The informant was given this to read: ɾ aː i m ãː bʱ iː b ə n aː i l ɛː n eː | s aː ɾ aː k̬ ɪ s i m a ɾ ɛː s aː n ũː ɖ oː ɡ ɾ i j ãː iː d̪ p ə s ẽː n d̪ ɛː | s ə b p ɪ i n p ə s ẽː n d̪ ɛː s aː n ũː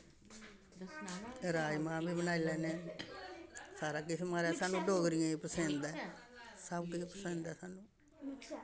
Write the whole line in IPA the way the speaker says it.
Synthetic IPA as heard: ɾ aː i m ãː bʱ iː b ə n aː i l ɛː n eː | s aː ɾ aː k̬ ɪ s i m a ɾ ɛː s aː n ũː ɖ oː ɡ ɾ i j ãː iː p ə s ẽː n d̪ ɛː | s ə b k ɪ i p ə s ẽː n d̪ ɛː s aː n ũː